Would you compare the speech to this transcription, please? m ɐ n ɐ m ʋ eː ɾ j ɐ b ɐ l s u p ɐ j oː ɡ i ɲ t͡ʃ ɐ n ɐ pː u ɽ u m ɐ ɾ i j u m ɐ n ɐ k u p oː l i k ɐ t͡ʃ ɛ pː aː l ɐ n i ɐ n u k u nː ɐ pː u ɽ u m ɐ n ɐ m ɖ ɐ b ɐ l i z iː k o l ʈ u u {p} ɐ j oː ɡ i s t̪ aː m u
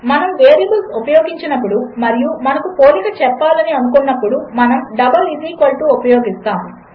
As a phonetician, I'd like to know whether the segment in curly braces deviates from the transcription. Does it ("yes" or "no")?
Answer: no